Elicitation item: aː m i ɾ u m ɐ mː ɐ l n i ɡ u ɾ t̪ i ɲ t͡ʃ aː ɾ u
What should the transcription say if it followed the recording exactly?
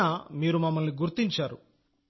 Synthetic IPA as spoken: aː m iː ɾ u m ɐ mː ɐ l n i ɡ u ɾ t̪ i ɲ t͡ʃ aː ɾ u

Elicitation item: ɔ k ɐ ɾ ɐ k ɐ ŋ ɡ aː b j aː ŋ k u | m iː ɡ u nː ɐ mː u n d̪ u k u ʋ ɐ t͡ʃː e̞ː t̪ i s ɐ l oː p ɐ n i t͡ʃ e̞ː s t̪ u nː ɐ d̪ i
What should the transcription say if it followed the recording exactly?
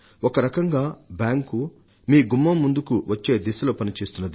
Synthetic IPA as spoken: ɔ k ɐ ɾ ɐ k ɐ ŋ ɡ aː b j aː ŋ k u | m iː ɡ u mː ɐ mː u n d̪ u k u ʋ ɐ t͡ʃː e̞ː d̪ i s ɐ l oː p ɐ n i t͡ʃ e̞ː s t̪ u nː ɐ d̪ i

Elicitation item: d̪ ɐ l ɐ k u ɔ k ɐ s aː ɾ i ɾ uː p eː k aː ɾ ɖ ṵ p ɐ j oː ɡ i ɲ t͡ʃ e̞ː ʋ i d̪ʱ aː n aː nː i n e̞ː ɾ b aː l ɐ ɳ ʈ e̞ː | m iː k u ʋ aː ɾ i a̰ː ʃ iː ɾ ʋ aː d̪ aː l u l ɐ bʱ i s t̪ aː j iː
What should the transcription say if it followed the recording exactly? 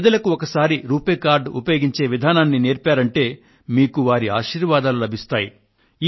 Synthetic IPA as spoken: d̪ ɐ l ɐ k u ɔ k ɐ s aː ɾ i ɾ uː p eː k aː ɾ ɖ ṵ p ɐ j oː ɡ i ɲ t͡ʃ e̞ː ʋ i d̪ʱ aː n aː nː i n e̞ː ɾ p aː ɾ ɐ ɳ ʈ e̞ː | m iː k u ʋ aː ɾ i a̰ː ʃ iː ɾ ʋ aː d̪ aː l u l ɐ bʱ i s t̪ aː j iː

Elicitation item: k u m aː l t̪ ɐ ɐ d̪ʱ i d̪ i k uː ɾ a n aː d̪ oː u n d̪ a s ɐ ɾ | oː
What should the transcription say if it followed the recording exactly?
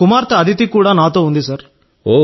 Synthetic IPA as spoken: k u m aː ɾ t̪ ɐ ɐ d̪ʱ i t̪ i k uː ɽ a n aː t̪ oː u n d̪ i s ɐ ɾ | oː

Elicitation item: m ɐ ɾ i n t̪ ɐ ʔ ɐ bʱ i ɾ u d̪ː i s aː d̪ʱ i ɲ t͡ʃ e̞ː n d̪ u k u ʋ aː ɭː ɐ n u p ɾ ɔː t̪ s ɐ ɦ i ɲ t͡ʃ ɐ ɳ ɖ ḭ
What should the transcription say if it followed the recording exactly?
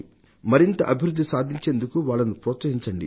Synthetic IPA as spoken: m ɐ ɾ i n t̪ ɐ ʔ ɐ bʱ i ɾ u d̪ː i s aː d̪ʱ i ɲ t͡ʃ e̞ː n d̪ u k u ʋ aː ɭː ɐ n u p ɾ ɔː t̪ s ɐ ɦ i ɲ t͡ʃ ɐ ɳ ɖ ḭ

